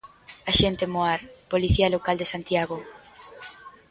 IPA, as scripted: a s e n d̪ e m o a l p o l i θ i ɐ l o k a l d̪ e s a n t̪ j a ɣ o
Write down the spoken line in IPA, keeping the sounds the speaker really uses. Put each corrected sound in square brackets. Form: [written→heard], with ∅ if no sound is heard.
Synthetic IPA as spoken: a [s→ʃ] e n [d̪→t̪] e m o a [l→ɾ] p o l i θ i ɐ l o k a l d̪ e s a n t̪ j a ɣ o